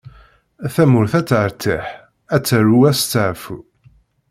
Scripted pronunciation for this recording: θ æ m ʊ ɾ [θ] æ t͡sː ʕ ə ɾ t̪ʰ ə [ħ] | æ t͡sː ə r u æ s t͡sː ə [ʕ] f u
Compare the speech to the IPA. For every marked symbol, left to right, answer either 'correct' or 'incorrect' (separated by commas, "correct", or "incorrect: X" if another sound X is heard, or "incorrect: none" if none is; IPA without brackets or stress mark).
correct, correct, correct